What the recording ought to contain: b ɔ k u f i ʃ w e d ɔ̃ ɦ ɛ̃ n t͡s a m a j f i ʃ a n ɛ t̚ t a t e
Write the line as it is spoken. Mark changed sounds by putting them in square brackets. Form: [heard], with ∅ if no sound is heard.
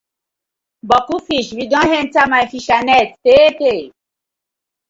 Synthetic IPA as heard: b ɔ k u f i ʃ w [i] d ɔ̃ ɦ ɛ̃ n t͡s a m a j f i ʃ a n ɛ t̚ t [e] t e